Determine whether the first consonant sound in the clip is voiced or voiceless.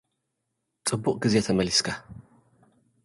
voiceless